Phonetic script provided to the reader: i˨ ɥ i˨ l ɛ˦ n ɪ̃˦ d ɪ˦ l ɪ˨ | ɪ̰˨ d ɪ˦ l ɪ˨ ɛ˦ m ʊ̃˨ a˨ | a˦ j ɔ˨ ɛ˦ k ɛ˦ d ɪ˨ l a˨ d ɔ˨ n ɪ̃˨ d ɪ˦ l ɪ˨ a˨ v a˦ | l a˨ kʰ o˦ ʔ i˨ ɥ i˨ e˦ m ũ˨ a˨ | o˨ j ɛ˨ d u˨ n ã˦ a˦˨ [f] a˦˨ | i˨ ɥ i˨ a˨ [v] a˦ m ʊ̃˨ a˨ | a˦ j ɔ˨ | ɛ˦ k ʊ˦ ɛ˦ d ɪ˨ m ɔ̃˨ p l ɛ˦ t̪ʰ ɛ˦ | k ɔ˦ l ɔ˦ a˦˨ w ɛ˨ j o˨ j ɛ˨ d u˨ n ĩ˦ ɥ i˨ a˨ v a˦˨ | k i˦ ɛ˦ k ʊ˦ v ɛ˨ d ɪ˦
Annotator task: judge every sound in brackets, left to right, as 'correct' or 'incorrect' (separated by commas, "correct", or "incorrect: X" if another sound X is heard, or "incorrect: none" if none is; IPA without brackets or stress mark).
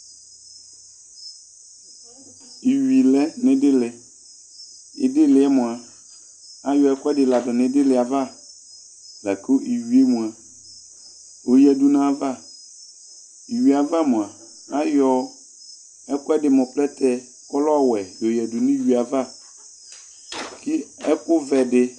incorrect: v, correct